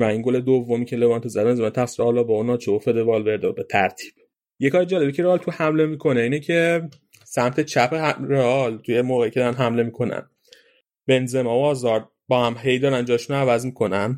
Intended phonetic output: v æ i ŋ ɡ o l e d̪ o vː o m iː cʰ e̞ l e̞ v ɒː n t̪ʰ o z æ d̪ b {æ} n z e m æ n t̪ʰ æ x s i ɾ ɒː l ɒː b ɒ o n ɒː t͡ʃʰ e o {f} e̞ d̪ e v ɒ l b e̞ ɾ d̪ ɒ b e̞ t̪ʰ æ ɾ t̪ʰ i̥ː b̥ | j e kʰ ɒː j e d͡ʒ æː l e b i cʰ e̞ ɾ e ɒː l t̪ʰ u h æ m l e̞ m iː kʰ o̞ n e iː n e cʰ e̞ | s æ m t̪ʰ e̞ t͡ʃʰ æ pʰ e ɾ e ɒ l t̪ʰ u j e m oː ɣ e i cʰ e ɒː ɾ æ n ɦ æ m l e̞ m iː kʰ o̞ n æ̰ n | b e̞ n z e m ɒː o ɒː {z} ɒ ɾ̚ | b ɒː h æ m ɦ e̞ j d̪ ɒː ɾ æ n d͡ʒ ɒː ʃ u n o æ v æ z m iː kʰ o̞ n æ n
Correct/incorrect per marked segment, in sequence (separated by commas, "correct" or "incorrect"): incorrect, correct, correct